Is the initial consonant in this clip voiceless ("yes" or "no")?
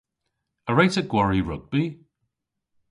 no